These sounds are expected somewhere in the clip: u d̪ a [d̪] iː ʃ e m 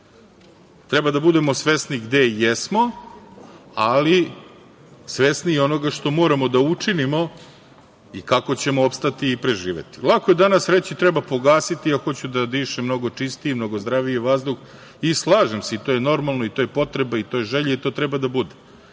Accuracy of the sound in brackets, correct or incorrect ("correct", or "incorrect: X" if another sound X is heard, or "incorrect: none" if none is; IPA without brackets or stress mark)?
correct